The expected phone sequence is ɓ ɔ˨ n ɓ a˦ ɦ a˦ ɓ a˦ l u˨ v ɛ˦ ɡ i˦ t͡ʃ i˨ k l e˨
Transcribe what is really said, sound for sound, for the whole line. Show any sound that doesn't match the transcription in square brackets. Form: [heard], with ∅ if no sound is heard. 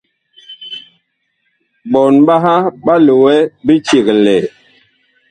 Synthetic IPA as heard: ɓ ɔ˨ n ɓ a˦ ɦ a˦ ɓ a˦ l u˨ [w] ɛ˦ [b] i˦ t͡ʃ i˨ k l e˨